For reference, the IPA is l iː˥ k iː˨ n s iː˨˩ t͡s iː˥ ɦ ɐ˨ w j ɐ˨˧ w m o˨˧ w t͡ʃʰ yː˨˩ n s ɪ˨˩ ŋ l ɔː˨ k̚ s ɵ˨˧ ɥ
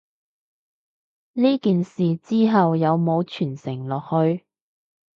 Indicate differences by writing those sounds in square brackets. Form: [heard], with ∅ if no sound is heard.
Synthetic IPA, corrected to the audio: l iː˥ k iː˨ n s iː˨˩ t͡s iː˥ ɦ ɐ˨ w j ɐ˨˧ w m o˨˧ w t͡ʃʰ yː˨˩ n s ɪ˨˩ ŋ l ɔː˨ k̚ [h] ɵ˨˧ ɥ